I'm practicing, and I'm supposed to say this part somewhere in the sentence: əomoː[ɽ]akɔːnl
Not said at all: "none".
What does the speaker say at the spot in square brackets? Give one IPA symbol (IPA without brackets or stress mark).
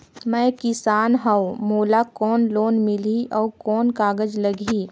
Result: l